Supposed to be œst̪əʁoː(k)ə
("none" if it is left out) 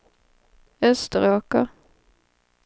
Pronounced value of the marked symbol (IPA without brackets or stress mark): k